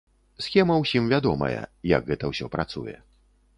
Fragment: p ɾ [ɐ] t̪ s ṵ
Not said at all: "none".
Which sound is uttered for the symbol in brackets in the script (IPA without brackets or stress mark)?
a